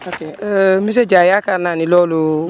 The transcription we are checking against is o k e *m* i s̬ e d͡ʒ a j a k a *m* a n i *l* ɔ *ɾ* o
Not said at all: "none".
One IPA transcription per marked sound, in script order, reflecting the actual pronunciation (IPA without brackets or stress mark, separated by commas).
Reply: m, n, l, l